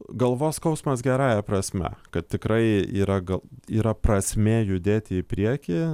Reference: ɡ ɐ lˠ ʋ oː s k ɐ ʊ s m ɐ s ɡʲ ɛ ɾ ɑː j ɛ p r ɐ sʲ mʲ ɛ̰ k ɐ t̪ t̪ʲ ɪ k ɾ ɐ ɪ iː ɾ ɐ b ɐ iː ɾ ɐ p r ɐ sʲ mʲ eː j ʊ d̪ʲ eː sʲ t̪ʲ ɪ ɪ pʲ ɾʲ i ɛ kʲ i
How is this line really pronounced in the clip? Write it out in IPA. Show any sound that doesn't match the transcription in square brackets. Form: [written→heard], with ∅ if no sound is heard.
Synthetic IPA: ɡ ɐ lˠ ʋ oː s k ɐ ʊ s m ɐ s ɡʲ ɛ ɾ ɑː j ɛ p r ɐ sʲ mʲ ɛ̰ k ɐ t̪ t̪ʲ ɪ k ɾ ɐ ɪ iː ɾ ɐ [b→ɡ] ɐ iː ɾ ɐ p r ɐ sʲ mʲ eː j ʊ d̪ʲ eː [sʲ→∅] t̪ʲ ɪ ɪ pʲ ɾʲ i ɛ kʲ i